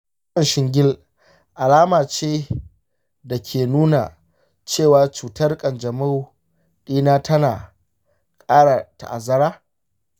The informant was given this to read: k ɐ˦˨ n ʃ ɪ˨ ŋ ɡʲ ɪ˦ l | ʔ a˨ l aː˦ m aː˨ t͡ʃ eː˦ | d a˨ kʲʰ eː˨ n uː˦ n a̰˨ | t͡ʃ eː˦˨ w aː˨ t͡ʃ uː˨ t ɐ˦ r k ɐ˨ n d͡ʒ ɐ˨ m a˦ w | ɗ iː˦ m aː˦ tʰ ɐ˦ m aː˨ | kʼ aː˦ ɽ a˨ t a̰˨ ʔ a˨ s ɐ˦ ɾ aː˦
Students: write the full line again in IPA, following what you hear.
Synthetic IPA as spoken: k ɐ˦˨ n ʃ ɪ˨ ŋ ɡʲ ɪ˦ l | ʔ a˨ l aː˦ m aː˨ t͡ʃ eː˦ | d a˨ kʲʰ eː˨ n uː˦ n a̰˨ | t͡ʃ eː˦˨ w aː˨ t͡ʃ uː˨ t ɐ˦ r kʼ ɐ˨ n d͡ʒ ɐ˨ m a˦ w | ɗ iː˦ n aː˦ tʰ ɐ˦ n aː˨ | kʼ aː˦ ɽ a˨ t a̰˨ ʔ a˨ z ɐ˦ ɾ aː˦